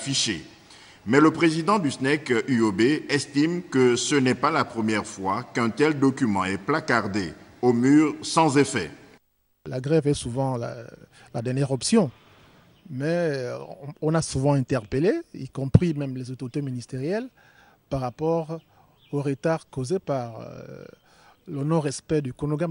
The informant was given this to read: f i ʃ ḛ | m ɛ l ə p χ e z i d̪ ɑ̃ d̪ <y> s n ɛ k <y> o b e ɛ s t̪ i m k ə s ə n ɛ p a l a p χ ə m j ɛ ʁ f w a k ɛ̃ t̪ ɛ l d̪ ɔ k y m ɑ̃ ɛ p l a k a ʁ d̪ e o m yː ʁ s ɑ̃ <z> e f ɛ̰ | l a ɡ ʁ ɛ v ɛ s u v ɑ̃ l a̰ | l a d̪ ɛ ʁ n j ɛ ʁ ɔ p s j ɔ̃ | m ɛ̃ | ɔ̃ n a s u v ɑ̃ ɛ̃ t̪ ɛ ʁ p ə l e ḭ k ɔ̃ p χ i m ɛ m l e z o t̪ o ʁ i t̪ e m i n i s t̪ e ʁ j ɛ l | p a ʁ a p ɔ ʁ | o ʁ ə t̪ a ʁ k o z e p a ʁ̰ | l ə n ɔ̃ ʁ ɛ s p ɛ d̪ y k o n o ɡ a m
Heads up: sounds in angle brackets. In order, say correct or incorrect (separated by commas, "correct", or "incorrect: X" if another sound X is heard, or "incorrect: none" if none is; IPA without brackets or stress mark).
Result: correct, correct, correct